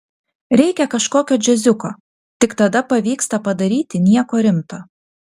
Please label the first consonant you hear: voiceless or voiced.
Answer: voiced